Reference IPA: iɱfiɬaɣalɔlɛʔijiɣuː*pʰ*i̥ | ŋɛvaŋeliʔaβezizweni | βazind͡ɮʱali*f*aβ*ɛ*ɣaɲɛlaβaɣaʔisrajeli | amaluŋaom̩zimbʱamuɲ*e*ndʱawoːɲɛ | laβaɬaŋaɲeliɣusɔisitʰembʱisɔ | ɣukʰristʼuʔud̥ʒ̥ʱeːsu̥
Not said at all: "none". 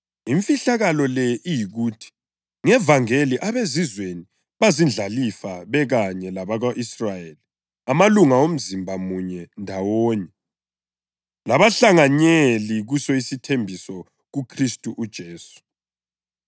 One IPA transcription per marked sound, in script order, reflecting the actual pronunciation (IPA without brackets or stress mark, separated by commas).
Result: tʰ, f, ɛ, ɛ